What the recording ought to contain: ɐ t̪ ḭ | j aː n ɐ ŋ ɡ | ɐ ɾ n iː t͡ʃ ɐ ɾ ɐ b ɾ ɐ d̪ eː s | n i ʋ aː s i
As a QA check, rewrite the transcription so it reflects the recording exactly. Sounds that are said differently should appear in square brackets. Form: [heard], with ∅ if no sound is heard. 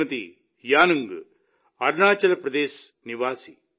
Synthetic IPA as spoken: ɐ t̪ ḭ | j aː n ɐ ŋ ɡ | ɐ ɾ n [aː] t͡ʃ ɐ [l] ɐ [p] ɾ ɐ d̪ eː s | n i ʋ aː s i